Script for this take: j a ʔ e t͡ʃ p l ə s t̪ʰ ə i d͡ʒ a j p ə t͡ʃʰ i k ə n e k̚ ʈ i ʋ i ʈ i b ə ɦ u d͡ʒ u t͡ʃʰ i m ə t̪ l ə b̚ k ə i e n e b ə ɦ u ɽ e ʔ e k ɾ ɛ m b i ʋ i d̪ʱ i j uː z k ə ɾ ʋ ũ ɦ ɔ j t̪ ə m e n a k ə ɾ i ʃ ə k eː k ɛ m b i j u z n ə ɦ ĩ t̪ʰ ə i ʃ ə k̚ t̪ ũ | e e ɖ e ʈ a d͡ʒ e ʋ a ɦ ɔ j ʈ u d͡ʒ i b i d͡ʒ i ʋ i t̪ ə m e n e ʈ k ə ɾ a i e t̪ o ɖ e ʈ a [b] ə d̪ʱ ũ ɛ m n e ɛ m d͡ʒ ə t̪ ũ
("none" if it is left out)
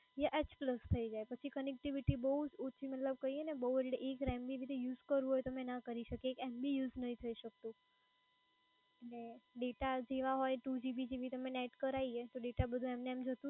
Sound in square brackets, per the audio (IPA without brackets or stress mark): b